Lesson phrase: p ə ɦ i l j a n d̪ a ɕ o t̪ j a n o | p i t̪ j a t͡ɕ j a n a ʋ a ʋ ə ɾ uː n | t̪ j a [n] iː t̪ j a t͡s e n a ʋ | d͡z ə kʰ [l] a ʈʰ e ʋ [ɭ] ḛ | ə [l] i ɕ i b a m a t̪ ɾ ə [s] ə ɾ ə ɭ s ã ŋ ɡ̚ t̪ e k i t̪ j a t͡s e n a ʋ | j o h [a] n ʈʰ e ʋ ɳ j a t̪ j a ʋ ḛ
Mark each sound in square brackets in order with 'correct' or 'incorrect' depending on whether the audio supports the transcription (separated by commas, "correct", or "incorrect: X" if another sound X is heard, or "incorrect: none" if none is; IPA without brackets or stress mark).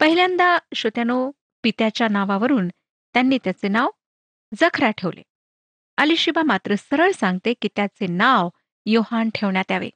incorrect: nː, incorrect: ɾ, incorrect: l, correct, correct, correct